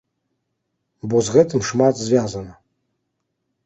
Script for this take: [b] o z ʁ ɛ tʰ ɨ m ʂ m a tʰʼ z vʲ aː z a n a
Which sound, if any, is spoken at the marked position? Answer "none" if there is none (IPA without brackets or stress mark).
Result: b